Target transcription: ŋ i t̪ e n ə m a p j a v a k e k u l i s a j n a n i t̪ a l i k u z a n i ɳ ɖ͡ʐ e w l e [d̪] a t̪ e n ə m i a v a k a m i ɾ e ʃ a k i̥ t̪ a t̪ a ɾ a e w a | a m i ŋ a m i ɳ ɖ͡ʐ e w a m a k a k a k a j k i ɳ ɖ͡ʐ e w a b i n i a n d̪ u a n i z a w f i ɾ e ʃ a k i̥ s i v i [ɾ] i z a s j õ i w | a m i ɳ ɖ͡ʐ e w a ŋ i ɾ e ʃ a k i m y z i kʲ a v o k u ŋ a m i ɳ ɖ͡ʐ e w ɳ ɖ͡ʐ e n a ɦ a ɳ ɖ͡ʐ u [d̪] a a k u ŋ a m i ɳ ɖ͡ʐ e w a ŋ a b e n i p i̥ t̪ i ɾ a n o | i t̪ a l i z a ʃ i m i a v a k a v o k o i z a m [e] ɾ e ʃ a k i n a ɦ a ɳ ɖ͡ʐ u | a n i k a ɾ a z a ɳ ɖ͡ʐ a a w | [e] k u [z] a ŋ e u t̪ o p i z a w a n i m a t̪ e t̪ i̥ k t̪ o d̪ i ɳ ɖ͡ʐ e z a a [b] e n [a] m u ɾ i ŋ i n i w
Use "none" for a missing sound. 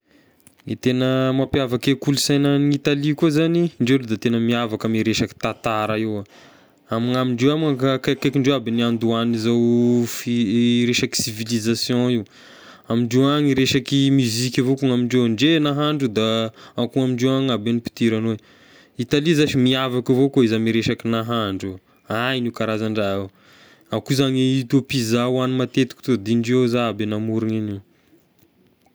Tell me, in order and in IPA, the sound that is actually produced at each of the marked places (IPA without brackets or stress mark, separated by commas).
d̪, l, d̪, i, a, z, b, a